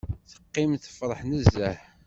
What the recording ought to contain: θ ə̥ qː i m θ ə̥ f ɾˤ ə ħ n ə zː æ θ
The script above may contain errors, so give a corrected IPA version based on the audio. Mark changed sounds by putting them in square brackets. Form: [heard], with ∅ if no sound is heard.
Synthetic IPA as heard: θ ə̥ qː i m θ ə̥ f ɾˤ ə ħ n ə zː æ [ħ]